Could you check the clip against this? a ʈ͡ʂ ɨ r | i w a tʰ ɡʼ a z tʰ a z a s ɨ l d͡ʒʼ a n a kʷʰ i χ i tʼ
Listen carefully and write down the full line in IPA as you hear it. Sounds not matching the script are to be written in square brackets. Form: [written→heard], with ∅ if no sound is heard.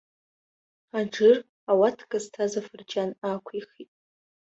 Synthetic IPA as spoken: a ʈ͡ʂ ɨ r | [i→a] w a tʰ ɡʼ a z tʰ a z a [s→f] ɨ [l→r] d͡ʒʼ a n a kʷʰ i χ i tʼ